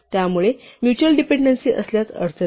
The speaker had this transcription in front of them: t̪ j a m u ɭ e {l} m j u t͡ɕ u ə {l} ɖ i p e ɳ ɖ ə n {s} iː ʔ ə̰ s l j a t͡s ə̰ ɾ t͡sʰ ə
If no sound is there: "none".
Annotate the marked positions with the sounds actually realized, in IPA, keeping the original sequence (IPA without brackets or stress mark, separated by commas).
none, l, s